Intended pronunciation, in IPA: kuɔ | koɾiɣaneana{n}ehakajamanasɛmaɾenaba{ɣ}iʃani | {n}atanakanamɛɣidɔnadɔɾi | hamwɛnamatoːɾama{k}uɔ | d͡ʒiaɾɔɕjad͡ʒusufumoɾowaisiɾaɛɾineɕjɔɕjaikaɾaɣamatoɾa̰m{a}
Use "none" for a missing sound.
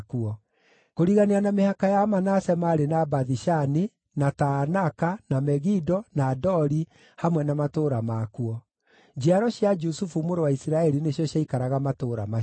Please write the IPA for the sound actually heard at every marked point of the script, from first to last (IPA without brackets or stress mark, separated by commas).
m, ð, n, k, a